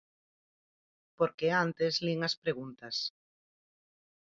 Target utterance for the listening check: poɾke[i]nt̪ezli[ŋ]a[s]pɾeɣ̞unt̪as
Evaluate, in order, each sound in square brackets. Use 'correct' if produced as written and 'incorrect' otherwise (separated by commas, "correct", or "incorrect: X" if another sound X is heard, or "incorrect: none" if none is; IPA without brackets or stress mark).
incorrect: a, correct, correct